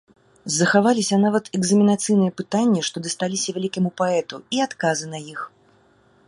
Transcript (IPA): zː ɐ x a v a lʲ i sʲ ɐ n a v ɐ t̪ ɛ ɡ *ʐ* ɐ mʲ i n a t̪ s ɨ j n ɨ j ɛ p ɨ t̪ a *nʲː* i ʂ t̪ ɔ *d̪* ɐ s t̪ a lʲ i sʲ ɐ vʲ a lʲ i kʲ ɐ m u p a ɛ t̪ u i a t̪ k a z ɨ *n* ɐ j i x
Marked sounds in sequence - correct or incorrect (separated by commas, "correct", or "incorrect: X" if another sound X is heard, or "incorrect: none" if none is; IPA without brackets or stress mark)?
incorrect: z, correct, correct, correct